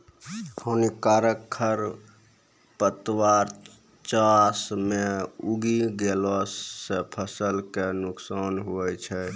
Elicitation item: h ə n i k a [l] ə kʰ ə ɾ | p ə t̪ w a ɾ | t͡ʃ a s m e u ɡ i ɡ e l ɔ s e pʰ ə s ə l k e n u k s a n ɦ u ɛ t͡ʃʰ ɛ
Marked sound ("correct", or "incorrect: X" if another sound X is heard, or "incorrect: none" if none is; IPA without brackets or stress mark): incorrect: ɾ